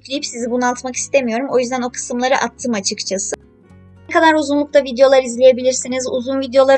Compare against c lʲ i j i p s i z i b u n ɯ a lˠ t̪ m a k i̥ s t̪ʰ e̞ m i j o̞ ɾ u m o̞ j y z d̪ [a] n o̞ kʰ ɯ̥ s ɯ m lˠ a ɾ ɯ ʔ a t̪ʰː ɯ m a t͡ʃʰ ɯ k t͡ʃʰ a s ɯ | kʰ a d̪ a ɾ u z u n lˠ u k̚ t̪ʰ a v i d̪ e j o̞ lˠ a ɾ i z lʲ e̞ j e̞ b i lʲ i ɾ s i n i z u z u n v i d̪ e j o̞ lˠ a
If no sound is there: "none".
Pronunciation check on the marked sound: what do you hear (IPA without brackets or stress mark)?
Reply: æ